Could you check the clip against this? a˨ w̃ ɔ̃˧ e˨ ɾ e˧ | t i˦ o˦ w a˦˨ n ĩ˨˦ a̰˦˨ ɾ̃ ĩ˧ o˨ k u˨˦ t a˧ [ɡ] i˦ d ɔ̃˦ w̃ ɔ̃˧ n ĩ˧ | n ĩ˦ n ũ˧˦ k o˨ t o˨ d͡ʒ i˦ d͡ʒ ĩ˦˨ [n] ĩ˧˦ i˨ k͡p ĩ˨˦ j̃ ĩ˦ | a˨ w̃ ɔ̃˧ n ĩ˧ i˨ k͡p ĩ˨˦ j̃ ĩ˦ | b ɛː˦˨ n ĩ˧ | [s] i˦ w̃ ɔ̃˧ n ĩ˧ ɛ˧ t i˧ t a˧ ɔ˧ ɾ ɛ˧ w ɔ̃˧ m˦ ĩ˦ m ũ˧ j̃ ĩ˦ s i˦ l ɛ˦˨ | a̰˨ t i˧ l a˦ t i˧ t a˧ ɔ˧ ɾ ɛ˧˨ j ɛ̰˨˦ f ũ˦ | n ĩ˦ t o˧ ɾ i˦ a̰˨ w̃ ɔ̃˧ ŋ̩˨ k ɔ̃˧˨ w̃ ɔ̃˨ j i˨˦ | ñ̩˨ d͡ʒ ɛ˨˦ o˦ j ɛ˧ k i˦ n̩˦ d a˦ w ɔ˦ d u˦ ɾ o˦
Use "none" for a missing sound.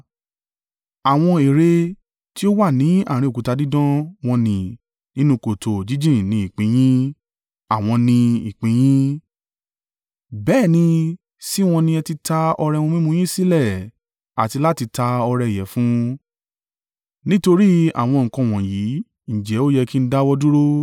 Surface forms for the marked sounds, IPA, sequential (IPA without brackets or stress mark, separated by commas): d, n, s